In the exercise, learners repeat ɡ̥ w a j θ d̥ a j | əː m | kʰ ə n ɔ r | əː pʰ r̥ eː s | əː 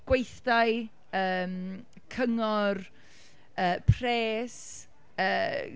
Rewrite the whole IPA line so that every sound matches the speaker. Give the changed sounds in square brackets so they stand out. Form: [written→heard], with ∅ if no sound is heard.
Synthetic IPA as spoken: ɡ̥ w [a→e] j θ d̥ a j | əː m | kʰ ə [n→ŋ] ɔ r | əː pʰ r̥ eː s | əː